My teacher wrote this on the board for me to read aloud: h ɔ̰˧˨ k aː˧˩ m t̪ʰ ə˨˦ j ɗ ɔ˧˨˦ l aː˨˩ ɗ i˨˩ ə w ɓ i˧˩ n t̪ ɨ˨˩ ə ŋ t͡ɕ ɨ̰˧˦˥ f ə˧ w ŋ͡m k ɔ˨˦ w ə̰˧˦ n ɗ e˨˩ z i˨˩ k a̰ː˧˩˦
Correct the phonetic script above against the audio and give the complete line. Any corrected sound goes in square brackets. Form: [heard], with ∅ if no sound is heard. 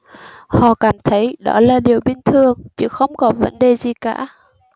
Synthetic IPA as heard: h ɔ̰˧˨ k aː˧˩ m t̪ʰ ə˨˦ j ɗ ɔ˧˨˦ l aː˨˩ ɗ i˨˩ ə w ɓ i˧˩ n [t̪ʰ] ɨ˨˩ ə ŋ t͡ɕ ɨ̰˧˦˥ [x] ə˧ w ŋ͡m k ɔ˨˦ [v] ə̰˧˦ n ɗ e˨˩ z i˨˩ k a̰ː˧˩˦